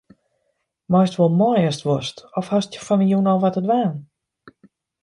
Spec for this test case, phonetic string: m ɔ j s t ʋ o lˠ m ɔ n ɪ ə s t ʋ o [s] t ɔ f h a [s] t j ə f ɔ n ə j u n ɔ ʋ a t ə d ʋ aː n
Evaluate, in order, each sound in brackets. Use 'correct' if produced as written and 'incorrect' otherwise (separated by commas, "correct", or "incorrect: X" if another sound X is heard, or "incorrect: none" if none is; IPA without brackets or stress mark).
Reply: correct, correct